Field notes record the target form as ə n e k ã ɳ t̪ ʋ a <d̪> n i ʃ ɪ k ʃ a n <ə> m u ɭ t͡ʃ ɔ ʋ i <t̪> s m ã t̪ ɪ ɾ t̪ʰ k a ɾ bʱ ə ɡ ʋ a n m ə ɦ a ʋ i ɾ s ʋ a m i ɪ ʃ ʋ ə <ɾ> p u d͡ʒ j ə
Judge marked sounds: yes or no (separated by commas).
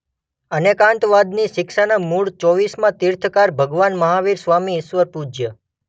yes, no, no, yes